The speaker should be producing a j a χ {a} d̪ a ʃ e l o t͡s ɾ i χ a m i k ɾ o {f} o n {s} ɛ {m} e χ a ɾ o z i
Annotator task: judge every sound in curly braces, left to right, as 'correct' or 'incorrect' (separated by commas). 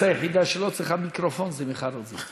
incorrect, correct, incorrect, correct